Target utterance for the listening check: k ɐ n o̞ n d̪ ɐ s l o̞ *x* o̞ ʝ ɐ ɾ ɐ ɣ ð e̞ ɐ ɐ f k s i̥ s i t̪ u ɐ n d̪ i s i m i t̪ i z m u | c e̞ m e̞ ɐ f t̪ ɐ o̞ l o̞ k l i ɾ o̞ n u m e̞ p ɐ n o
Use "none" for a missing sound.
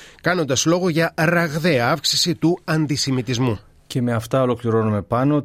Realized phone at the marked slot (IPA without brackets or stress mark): ɣ